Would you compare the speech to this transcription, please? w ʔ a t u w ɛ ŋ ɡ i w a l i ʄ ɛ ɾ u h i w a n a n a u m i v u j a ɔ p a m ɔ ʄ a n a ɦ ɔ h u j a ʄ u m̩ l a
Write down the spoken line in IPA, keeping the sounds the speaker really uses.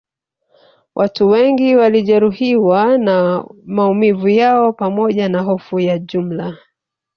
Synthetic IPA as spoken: w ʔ a t u w ɛ ŋ ɡ i w a l i ʄ ɛ ɾ u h i w a n a m a u m i v u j a ɔ p a m ɔ ʄ a n a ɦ ɔ f u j a ʄ u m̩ l a